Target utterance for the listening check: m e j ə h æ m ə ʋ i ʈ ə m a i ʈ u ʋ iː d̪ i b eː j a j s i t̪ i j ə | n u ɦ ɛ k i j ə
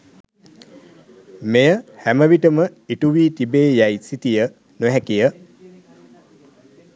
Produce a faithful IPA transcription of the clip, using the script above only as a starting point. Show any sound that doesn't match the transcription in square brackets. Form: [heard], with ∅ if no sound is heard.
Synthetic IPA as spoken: m e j ə h æ m ə ʋ i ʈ ə m [ə] i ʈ u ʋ iː [t̪] i b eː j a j s i t̪ i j ə | n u ɦ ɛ k i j ə